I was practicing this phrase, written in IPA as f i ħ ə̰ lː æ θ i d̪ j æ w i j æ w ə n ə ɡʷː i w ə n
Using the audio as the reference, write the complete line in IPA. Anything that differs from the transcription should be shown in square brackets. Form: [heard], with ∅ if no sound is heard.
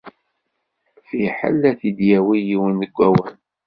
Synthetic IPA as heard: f i ħ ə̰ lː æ θ i d̪ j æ w i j [i] w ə n ə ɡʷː [æ] w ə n